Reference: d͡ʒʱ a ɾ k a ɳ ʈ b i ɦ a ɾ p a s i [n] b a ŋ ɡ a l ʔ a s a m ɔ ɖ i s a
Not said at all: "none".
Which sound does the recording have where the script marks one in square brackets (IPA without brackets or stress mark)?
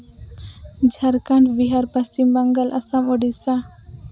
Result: m